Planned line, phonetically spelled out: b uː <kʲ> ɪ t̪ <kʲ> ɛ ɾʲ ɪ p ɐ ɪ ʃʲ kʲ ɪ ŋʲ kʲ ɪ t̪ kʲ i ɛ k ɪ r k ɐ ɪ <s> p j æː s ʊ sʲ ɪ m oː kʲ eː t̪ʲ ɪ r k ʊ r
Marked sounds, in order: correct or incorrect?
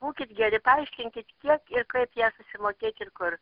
correct, incorrect: ɡʲ, incorrect: none

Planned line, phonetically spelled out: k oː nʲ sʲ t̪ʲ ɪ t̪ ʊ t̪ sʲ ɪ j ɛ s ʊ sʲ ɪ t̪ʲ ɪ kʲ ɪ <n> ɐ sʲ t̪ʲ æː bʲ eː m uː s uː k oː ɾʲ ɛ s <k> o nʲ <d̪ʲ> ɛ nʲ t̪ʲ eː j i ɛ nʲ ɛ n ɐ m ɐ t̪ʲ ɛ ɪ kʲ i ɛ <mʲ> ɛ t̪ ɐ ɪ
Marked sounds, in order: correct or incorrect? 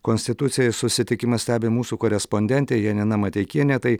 incorrect: m, incorrect: p, correct, incorrect: nʲ

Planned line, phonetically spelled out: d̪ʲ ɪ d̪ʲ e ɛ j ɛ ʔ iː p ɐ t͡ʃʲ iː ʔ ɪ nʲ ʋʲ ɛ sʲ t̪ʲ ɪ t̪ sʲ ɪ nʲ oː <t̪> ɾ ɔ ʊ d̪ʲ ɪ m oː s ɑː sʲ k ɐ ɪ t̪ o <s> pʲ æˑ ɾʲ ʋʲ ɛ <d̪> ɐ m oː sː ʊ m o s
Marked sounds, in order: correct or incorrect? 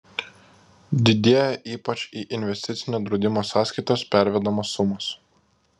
incorrect: d̪, correct, correct

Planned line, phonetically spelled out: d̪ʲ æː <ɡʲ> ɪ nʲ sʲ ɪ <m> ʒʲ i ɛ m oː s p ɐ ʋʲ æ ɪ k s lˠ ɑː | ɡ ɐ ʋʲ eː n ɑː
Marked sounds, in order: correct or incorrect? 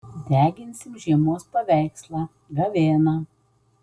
correct, correct

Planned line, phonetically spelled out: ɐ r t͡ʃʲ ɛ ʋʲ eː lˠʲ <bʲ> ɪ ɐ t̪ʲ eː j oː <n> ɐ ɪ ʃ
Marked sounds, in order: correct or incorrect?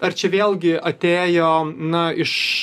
incorrect: ɡʲ, correct

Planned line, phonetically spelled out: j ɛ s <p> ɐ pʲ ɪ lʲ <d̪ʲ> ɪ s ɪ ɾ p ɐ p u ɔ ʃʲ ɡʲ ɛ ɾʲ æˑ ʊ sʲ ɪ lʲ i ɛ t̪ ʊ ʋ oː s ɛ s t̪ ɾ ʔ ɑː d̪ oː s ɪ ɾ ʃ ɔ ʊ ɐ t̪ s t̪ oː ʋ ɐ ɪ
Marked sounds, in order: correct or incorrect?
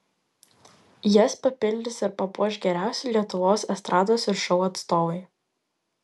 correct, correct

